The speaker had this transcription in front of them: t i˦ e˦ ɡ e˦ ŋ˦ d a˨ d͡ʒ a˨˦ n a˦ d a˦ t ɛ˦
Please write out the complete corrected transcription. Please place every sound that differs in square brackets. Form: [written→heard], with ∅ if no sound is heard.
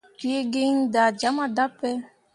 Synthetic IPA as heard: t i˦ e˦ ɡ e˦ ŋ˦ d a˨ d͡ʒ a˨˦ [n→m] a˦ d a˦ [t→p] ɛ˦